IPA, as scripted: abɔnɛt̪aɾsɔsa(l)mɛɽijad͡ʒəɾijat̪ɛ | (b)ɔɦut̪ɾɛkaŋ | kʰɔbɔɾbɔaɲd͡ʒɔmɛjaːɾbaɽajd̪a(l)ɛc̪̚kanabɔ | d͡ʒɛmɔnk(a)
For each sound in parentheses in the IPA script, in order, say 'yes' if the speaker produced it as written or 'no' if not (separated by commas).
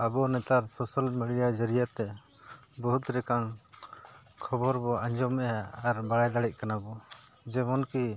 yes, yes, no, no